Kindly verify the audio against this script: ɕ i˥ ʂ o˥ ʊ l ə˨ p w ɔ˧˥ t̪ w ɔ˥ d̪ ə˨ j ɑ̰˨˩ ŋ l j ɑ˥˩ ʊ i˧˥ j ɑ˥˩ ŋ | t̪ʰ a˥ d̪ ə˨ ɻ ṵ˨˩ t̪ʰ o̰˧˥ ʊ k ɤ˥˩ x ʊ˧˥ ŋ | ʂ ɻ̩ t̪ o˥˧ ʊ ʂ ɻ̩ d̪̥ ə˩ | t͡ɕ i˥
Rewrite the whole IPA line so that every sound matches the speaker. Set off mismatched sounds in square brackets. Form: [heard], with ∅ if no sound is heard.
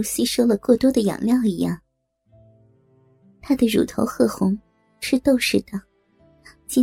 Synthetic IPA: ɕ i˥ ʂ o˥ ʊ l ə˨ [k] w [ɔ˥˩] t̪ w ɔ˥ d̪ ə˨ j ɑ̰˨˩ ŋ l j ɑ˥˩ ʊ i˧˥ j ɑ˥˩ ŋ | t̪ʰ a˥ d̪ ə˨ ɻ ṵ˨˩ t̪ʰ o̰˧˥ ʊ [x] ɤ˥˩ x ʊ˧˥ ŋ | ʂ ɻ̩ t̪ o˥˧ ʊ ʂ ɻ̩ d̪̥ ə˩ | t͡ɕ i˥